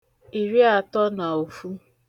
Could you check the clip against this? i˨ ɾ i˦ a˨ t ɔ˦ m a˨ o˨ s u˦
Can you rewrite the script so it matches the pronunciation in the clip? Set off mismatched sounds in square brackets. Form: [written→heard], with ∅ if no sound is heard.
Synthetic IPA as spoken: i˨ ɾ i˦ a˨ t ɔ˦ [m→n] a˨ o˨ [s→f] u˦

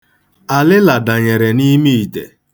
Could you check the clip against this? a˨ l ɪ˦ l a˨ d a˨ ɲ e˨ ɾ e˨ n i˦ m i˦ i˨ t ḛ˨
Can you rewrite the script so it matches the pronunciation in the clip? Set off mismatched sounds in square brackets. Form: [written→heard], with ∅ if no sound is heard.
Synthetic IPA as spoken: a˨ l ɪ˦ l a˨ d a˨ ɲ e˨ ɾ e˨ n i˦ m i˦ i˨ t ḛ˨

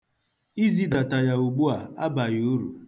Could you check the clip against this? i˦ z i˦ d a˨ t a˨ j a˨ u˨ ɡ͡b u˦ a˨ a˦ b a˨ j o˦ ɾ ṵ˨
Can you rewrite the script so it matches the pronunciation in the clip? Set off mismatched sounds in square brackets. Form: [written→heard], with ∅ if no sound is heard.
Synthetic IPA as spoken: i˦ z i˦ d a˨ t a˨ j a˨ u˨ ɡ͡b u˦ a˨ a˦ b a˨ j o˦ ɾ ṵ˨

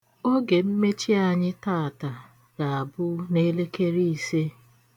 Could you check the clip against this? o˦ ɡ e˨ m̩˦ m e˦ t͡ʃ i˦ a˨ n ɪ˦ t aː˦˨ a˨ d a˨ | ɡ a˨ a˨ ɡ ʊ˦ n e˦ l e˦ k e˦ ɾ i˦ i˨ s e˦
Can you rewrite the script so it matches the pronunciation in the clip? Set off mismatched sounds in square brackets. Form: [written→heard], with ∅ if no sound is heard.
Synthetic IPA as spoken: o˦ ɡ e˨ m̩˦ m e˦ t͡ʃ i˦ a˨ [n→ɲ] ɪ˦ t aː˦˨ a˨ [d→t] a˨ | ɡ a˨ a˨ [ɡ→b] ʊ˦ n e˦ l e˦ k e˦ ɾ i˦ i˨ s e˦

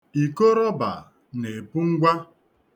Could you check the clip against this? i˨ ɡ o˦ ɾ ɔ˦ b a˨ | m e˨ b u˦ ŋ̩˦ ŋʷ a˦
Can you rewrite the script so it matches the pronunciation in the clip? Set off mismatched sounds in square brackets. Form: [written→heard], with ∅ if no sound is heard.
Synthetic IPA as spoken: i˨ [ɡ→k] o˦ ɾ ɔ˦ b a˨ | [m→n] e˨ [b→p] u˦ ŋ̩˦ [ŋʷ→ɡʷ] a˦

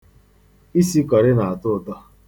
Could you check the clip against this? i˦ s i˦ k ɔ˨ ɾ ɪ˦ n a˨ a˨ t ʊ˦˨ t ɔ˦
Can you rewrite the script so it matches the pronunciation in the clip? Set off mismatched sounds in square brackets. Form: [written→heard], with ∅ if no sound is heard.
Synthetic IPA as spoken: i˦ s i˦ k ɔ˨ ɾ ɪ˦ n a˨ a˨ t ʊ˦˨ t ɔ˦

